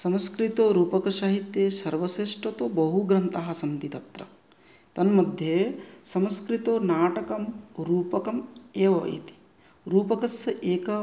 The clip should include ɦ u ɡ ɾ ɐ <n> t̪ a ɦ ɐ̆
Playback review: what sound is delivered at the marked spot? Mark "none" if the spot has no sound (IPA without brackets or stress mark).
n